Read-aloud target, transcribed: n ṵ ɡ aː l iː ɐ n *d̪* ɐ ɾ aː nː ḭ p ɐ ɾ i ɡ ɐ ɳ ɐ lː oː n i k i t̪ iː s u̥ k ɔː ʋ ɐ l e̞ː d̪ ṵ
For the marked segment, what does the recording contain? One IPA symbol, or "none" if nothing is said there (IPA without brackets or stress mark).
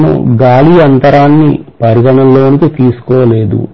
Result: t̪